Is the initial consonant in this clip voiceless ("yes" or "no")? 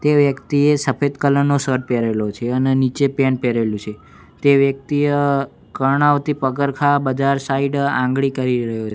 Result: yes